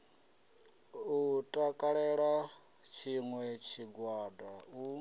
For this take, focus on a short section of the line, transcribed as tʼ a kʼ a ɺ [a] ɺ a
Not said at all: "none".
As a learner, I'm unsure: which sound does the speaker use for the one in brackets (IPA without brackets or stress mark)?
ɛ